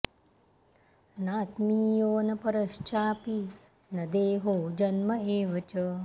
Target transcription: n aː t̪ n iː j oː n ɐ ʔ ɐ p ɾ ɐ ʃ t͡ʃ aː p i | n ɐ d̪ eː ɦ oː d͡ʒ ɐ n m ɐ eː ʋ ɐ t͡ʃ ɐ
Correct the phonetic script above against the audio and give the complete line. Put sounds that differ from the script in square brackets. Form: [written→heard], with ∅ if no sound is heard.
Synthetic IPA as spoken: n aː t̪ [n→m] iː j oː n ɐ [ʔ→p] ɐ [p→∅] ɾ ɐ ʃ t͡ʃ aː p i | n ɐ d̪ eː ɦ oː d͡ʒ ɐ n m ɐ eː ʋ ɐ t͡ʃ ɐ